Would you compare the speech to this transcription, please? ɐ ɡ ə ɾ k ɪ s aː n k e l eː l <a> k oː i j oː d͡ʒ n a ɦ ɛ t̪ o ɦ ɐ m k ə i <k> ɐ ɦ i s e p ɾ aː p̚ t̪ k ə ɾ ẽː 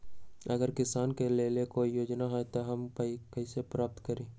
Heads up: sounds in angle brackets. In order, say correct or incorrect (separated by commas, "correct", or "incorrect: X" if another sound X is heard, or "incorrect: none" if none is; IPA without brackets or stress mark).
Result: incorrect: e, correct